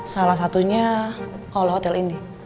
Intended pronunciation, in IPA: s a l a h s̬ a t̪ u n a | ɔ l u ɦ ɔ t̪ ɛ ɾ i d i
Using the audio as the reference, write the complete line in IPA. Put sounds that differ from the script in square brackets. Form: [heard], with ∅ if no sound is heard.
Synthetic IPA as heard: s a l a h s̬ a t̪ u [ɲ] a | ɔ l [ɔ] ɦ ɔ t̪ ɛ [l] i [n] i